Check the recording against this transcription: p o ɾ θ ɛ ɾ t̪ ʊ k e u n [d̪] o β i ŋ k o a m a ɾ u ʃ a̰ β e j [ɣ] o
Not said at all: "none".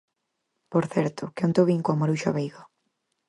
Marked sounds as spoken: t̪, ɣ

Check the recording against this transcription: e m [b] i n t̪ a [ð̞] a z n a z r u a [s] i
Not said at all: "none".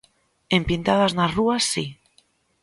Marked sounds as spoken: p, ð̞, sː

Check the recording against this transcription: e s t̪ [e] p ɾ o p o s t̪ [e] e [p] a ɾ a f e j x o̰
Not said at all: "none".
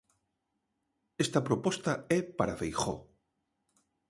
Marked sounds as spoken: a, a, p

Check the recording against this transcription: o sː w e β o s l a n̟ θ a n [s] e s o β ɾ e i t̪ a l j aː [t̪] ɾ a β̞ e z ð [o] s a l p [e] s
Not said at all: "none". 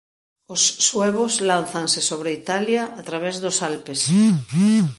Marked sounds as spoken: s, t̪, o, e

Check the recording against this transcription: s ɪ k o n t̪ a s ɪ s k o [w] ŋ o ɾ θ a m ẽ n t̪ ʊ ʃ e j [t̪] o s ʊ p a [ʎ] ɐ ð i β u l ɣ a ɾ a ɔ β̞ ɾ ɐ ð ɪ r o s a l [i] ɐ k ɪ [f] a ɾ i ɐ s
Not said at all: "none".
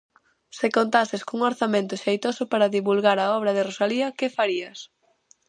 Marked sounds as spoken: u, t̪, ɾ, i, f

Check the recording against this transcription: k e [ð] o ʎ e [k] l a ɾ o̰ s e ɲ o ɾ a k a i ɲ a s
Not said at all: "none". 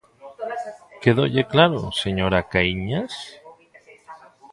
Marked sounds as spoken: ð, k

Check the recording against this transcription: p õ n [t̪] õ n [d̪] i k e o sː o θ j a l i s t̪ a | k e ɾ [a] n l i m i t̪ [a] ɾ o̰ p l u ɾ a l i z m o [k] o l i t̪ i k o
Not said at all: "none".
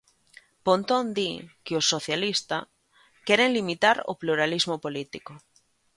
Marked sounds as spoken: t̪, d̪, e, a, p

